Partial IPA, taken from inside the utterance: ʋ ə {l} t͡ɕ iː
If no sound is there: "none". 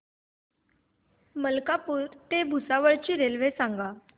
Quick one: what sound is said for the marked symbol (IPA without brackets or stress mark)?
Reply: ɭ